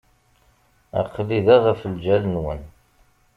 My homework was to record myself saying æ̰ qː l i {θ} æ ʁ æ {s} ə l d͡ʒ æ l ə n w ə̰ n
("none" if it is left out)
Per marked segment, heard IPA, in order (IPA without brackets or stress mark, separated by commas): ð, f